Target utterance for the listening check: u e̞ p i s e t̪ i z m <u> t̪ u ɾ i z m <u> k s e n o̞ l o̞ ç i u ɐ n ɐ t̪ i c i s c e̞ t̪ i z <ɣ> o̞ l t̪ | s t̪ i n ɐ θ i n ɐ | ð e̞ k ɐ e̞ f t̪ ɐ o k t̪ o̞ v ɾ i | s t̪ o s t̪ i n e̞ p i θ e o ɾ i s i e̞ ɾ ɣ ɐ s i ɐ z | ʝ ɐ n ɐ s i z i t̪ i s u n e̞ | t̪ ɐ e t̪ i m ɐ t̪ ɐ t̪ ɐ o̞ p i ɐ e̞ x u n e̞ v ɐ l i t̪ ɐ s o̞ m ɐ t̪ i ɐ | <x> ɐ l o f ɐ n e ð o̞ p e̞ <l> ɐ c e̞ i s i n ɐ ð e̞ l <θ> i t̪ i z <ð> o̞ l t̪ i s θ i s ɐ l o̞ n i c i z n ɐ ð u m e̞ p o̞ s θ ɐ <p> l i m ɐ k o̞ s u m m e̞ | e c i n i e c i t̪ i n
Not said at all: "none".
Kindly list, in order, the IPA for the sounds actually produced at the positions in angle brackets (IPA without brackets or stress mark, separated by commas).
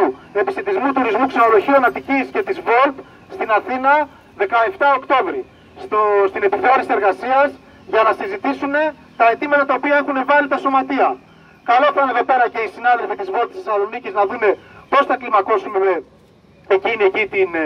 u, u, v, k, ɾ, f, v, k